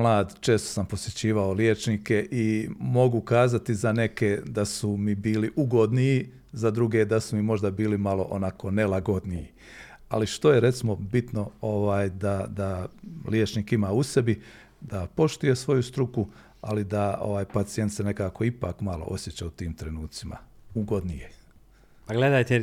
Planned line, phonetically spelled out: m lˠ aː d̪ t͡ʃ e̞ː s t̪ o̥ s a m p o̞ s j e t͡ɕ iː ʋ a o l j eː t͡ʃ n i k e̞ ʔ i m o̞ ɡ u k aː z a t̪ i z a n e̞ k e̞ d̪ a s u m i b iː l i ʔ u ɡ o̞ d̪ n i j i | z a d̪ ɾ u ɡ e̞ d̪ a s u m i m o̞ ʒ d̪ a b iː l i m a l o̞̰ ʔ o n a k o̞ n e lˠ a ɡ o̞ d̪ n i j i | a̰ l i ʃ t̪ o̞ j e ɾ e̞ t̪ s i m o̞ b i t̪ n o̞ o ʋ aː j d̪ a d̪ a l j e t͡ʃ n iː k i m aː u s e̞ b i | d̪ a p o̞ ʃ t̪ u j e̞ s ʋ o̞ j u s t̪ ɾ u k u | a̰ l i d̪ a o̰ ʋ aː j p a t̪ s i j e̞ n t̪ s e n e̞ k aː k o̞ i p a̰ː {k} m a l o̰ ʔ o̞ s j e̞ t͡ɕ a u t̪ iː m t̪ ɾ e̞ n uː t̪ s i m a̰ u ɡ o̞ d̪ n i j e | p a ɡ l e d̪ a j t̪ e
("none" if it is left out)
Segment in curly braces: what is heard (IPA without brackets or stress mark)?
k